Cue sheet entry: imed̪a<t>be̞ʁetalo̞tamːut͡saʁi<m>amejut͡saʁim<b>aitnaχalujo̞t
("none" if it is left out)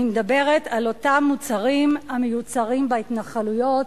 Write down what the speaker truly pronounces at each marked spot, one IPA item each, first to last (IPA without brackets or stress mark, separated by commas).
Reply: none, m, b